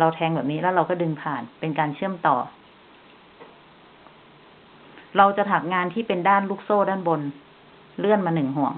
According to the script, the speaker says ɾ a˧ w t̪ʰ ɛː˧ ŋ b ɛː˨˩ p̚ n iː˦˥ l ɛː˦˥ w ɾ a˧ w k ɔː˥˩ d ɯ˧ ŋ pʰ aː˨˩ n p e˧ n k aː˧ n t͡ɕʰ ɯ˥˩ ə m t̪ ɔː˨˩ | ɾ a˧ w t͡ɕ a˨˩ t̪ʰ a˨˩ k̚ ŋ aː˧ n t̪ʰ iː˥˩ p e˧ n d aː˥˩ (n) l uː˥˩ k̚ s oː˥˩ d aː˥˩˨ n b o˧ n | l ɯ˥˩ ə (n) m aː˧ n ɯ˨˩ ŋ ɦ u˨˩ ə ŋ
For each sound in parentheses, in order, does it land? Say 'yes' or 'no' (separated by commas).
yes, yes